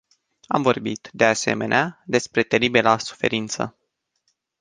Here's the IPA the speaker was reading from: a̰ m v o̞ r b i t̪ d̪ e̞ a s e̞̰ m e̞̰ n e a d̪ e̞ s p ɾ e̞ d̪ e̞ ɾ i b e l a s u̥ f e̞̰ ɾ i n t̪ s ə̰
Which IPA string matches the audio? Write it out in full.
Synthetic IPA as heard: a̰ m v o̞ r b i t̪ d̪ e̞ a s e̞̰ m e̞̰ n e a d̪ e̞ s p ɾ e̞ t̪ e̞ ɾ i b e l a s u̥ f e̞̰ ɾ i n t̪ s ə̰